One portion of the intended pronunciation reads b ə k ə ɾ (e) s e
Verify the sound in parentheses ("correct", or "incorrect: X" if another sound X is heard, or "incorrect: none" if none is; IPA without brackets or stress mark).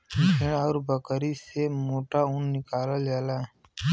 incorrect: i